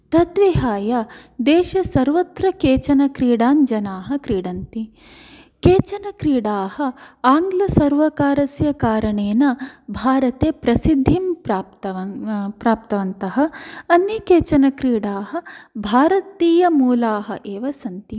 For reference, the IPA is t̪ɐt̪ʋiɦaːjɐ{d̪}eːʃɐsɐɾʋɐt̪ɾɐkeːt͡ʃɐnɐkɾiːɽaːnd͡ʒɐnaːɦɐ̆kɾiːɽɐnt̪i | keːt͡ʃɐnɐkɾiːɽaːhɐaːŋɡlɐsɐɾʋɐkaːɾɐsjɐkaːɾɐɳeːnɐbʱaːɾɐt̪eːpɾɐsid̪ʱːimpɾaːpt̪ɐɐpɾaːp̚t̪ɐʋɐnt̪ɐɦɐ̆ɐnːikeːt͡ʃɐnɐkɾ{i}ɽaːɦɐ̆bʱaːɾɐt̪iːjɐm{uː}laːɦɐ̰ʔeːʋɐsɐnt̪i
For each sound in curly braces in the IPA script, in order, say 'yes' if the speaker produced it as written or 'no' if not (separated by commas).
yes, no, yes